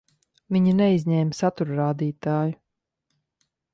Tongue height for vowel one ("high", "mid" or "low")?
high